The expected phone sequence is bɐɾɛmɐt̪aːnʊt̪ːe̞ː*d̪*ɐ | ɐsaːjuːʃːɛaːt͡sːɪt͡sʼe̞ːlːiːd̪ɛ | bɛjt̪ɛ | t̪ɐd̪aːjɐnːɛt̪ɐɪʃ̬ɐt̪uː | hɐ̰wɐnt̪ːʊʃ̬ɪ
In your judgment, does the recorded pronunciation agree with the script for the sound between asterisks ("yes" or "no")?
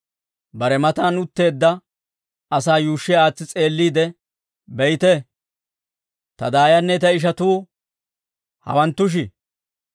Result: no